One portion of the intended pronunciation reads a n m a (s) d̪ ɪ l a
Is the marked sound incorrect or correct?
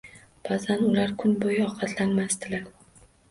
correct